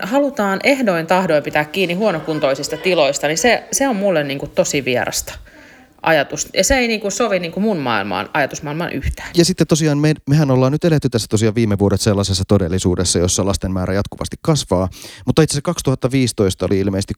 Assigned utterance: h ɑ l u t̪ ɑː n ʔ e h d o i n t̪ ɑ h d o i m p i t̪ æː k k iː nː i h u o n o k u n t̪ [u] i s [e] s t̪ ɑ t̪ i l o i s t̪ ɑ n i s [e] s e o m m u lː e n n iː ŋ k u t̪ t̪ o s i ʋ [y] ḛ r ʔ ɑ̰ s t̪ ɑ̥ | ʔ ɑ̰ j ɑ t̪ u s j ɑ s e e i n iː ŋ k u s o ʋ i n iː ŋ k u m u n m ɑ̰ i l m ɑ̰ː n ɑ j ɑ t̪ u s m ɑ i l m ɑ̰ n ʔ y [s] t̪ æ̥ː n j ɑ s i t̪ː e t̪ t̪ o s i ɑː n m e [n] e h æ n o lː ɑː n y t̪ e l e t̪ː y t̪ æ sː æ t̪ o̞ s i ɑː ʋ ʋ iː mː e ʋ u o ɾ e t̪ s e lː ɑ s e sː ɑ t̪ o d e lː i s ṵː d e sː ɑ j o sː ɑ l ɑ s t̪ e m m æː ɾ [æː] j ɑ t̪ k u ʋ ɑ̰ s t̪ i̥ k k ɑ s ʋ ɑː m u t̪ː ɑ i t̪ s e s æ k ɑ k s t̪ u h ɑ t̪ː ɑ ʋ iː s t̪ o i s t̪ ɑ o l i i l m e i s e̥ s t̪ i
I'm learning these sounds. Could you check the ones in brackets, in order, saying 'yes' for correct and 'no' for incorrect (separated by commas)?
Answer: no, no, yes, no, no, no, no